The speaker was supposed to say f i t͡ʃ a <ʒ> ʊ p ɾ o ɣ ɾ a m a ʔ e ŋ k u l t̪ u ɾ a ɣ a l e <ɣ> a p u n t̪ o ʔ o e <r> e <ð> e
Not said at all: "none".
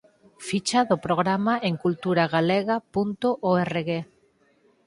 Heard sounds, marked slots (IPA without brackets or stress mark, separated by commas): ð, ɣ, r, ɣ